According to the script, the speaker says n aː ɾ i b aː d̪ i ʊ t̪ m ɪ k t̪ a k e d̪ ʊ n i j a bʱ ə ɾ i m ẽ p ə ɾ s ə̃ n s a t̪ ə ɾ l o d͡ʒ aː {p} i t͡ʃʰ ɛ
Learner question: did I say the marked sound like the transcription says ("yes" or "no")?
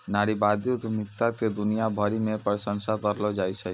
no